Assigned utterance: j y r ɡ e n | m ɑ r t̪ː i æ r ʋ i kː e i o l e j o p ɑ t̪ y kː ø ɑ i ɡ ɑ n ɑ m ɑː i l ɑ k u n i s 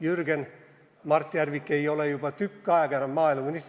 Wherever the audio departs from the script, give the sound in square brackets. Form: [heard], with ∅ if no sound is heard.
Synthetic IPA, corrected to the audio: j y r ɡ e n | m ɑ r t̪ː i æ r ʋ i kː e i o l e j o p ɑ t̪ y kː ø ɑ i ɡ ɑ n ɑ m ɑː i l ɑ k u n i s